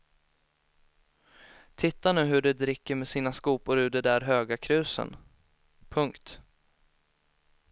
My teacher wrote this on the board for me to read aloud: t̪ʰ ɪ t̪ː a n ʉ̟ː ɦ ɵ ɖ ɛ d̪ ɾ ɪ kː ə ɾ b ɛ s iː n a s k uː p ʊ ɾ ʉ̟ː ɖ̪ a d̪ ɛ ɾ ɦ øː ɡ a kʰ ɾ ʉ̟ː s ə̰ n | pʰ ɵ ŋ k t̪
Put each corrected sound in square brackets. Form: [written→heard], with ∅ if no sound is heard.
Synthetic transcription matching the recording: t̪ʰ ɪ t̪ː a n ʉ̟ː ɦ ɵ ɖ ɛ d̪ ɾ ɪ kː ə ɾ [b→m] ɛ s iː n a s k uː p ʊ ɾ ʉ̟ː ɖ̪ [a→ɛ] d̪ [ɛ→æ] ɾ ɦ øː ɡ a kʰ ɾ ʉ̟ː s ə̰ n | pʰ ɵ ŋ k t̪

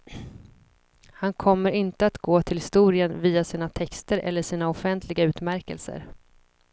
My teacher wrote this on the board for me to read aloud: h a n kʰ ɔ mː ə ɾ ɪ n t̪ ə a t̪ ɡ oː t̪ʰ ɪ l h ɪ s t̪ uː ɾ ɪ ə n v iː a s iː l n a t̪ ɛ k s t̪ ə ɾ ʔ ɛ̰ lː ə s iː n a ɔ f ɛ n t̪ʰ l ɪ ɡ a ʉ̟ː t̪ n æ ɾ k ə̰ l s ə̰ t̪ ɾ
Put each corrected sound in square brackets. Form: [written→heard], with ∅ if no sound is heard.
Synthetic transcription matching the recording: h a n kʰ ɔ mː ə ɾ ɪ n t̪ ə a t̪ ɡ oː t̪ʰ ɪ l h ɪ s t̪ uː ɾ ɪ ə n v iː a s iː [l→∅] n a [t̪→t̪ʰ] ɛ k s t̪ ə ɾ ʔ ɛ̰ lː ə [s→ʂ] iː n a ɔ f ɛ n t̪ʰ l ɪ ɡ a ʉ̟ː t̪ [n→m] æ ɾ k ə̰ l s ə̰ [t̪→∅] ɾ

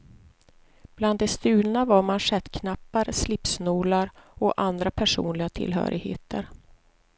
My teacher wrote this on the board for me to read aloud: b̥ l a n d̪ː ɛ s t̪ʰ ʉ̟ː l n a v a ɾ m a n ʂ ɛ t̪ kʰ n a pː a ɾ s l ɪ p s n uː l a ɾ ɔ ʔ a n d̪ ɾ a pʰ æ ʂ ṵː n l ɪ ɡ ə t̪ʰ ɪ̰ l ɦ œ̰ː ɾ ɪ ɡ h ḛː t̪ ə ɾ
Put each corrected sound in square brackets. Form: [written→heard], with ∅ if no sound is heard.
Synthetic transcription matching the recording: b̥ l a n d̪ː ɛ s [t̪ʰ→t̪] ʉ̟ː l n a v a ɾ m a n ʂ ɛ t̪ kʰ n a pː a ɾ s l ɪ p s n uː l a ɾ ɔ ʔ a n d̪ ɾ a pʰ æ ʂ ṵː n l ɪ ɡ [ə→a] t̪ʰ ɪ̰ l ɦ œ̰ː ɾ ɪ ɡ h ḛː t̪ ə ɾ

